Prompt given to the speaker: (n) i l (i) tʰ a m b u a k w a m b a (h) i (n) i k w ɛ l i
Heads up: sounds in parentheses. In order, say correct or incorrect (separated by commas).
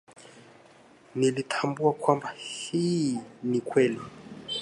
correct, correct, correct, correct